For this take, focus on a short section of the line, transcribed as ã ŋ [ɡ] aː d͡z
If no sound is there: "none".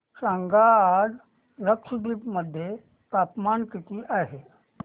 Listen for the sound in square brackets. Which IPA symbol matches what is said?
ɡ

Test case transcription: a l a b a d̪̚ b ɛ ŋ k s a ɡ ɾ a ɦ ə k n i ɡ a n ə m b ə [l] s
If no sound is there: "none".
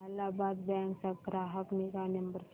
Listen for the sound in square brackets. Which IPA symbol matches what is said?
ɾ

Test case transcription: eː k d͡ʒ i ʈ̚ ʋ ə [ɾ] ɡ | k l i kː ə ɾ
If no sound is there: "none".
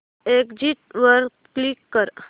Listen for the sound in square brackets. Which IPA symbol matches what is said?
ɾ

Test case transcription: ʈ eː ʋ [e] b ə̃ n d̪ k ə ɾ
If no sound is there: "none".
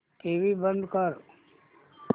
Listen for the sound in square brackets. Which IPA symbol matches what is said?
i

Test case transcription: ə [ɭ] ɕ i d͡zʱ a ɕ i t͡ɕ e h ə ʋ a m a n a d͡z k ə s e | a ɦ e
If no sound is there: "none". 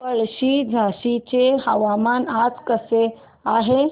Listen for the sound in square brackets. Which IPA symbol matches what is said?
ɭ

